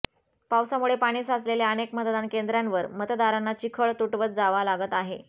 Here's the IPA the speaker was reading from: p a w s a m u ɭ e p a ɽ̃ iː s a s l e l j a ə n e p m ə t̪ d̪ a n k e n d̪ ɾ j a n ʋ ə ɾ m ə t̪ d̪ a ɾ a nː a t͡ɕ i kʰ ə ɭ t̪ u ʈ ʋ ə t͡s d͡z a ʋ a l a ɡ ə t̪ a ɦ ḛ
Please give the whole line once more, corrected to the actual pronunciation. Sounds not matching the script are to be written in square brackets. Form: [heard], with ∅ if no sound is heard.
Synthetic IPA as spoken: p a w s a m u ɭ e p a ɽ̃ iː s a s l e l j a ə n e [k] m ə t̪ d̪ a n k e n d̪ ɾ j a n ʋ ə ɾ m ə t̪ d̪ a ɾ a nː a t͡ɕ i kʰ ə ɭ t̪ u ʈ ʋ ə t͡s d͡z a ʋ a l a ɡ ə t̪ a ɦ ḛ